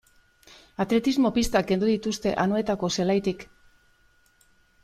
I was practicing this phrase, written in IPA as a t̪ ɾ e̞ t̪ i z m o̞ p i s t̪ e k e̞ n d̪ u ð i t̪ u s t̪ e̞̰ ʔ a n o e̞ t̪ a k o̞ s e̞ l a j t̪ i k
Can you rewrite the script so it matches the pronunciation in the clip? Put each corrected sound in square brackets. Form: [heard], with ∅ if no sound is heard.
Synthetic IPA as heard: a t̪ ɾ e̞ t̪ i z m o̞ p i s t̪ [a] k e̞ n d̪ u ð i t̪ u s t̪ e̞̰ ʔ a n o e̞ t̪ a k o̞ s e̞ l a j t̪ i k